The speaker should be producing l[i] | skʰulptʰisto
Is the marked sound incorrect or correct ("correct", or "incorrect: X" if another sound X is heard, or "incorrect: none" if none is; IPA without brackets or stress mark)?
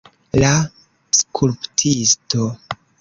incorrect: a